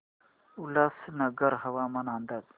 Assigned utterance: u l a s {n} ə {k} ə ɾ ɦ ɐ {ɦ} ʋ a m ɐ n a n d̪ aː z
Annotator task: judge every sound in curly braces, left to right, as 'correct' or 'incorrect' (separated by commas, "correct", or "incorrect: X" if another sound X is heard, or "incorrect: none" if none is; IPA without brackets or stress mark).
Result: correct, incorrect: ɡ, incorrect: none